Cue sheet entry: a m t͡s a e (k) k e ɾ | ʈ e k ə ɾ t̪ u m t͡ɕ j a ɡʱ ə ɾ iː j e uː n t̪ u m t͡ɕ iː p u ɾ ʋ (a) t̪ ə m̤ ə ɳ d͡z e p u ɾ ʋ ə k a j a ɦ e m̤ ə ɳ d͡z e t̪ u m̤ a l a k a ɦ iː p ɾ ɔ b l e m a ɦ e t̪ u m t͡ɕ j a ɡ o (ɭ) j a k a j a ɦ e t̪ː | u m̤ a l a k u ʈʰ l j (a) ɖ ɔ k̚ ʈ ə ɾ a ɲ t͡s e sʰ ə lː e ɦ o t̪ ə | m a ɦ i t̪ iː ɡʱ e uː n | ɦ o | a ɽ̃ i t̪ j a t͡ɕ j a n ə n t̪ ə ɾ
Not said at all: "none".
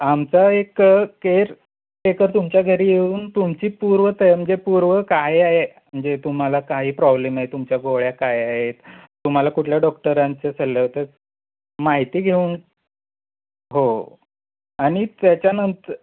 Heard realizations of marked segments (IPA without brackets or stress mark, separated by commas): k, ə, ɭ, a